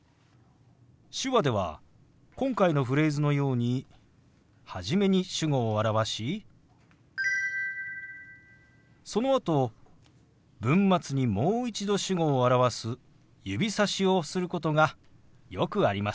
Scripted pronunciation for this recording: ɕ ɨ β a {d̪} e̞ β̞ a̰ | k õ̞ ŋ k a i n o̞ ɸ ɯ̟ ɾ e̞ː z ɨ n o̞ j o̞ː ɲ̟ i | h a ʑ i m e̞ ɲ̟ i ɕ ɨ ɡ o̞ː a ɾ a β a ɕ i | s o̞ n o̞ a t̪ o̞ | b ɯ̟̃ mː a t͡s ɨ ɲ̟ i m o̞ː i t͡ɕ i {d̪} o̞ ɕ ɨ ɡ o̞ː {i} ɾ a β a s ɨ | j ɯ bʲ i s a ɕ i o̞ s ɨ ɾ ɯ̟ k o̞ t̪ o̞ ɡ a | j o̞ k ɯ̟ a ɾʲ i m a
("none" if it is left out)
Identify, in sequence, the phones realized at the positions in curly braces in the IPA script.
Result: d̪, d̪, a

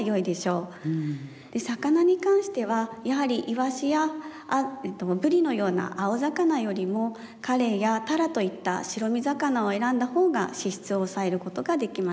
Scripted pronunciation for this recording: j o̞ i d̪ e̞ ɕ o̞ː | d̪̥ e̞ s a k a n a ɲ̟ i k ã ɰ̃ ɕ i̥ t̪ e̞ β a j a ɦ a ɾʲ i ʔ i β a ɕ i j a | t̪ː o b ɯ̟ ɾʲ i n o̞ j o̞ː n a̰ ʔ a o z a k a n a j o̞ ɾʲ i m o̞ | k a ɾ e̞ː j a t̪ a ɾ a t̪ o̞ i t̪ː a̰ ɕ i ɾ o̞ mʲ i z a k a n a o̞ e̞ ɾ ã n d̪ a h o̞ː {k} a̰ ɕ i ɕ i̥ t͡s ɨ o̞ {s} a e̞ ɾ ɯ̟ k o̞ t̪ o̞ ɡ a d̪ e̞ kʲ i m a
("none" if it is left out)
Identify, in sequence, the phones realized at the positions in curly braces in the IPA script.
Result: ɡ, s

